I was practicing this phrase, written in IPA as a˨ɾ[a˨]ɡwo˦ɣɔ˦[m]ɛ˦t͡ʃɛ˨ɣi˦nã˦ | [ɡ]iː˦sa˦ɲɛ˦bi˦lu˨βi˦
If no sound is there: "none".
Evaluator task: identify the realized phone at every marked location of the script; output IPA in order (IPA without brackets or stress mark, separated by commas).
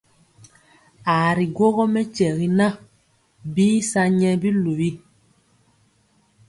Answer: i˨, m, b